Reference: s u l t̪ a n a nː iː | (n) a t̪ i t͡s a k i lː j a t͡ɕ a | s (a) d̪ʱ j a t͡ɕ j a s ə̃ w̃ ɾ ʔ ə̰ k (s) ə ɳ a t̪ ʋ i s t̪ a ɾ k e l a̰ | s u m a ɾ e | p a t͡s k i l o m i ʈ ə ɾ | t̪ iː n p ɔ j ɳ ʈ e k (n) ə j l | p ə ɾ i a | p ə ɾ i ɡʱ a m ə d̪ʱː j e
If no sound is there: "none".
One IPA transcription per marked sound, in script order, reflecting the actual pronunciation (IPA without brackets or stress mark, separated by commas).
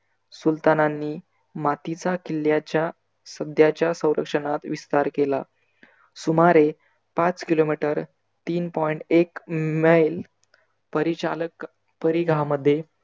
m, ə, ʂ, m